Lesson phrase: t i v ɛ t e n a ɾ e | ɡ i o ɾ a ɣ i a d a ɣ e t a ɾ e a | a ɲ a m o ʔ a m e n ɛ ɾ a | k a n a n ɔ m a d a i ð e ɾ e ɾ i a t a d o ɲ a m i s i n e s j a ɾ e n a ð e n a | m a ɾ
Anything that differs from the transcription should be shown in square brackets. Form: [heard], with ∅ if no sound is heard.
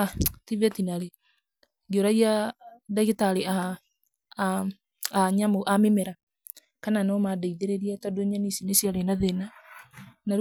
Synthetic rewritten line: t i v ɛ t [i] n a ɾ e | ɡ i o ɾ a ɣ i a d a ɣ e t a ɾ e a | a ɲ a m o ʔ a m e [m] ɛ ɾ a | k a n a n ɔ m a d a i ð e ɾ e ɾ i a t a d o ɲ a [n] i s i n e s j a ɾ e n a ð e n a | [n] a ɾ